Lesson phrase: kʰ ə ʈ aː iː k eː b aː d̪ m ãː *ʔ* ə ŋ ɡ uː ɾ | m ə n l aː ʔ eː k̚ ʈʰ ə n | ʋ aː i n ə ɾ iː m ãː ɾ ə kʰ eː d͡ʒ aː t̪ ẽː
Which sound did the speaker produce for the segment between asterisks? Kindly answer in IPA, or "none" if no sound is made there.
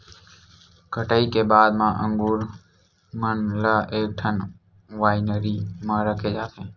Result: ʔ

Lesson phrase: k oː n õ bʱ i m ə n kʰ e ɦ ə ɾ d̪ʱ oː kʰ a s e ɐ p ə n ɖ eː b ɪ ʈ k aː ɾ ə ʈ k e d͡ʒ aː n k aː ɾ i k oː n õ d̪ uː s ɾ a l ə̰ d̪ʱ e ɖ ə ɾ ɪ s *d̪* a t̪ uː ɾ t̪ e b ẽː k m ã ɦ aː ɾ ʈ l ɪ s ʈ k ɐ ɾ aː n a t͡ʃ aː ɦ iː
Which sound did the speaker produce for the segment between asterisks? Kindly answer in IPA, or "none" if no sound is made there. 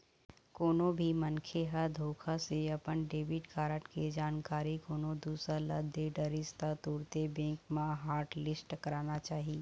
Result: t̪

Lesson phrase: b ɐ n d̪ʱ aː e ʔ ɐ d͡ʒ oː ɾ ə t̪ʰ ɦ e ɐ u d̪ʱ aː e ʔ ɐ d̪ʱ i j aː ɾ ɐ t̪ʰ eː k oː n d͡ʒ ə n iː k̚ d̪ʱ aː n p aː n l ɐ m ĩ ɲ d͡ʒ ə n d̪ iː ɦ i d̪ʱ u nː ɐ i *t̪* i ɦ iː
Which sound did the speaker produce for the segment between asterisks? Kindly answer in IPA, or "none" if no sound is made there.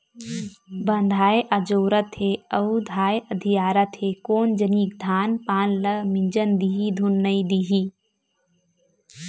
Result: d̪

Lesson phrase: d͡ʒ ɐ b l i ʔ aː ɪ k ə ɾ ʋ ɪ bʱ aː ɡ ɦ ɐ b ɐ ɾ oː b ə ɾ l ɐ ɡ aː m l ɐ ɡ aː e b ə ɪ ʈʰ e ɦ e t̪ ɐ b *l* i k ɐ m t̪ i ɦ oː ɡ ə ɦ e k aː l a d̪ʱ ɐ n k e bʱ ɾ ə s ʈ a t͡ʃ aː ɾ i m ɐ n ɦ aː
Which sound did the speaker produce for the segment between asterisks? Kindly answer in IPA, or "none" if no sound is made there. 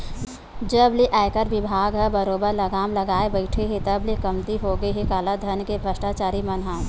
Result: l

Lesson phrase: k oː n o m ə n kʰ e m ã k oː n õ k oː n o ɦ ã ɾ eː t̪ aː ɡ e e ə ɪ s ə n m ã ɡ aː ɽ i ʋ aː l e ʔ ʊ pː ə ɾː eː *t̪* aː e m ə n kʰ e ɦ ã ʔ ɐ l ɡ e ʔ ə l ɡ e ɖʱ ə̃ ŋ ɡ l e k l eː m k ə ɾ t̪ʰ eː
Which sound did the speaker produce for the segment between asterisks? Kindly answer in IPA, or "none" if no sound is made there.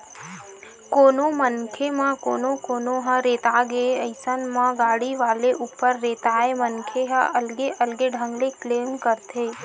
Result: t̪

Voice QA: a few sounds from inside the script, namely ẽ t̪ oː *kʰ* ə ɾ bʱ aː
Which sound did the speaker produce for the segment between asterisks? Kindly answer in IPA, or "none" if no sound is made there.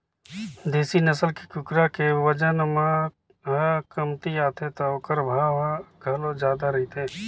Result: k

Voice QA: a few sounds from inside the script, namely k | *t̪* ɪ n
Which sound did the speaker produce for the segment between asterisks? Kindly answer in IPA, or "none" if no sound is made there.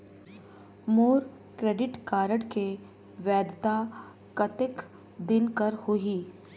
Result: d̪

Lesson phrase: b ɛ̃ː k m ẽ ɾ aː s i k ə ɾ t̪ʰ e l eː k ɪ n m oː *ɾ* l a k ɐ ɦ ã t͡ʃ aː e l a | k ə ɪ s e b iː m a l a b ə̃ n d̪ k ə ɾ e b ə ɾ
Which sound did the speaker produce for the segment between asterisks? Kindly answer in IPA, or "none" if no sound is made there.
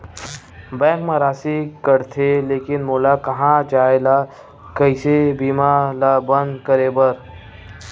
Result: none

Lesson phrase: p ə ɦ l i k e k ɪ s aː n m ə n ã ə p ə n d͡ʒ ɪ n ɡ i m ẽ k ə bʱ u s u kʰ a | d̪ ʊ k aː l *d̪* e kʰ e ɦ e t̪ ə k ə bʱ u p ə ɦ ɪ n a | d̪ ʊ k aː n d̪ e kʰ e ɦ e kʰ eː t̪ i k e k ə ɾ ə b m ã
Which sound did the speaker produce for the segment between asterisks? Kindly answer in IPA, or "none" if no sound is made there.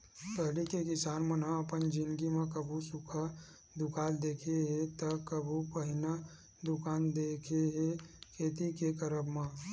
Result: d̪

